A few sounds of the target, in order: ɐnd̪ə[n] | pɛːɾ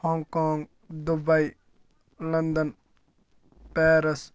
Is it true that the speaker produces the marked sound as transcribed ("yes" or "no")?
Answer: yes